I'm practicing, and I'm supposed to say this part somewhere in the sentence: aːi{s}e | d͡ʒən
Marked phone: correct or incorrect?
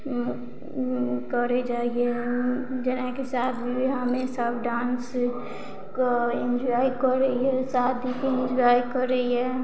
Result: incorrect